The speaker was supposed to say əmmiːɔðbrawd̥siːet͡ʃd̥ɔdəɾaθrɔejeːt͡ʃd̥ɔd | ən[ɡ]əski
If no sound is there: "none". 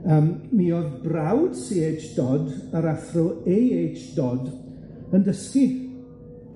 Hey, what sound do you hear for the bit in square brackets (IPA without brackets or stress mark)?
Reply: d